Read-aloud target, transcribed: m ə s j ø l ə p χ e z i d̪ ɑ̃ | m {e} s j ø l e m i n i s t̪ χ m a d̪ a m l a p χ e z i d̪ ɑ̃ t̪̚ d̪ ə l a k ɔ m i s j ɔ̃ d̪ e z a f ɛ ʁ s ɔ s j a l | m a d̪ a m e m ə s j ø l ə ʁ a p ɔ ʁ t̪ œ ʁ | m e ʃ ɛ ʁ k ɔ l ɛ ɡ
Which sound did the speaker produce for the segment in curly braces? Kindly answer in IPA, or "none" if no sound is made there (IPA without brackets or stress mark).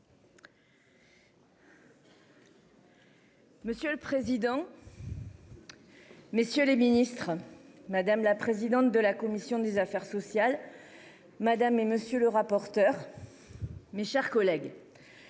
e